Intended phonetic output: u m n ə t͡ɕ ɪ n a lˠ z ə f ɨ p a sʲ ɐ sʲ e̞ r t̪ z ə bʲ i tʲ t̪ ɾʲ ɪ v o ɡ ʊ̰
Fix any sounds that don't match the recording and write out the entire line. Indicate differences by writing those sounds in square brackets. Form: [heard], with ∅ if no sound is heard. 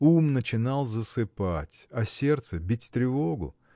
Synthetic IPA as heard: u m n ə t͡ɕ ɪ n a lˠ z ə [s] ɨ p a [tʲ] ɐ sʲ e̞ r t̪ [s] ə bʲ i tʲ t̪ ɾʲ ɪ v o ɡ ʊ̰